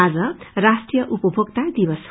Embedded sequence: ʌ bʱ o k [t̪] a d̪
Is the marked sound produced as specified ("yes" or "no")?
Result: yes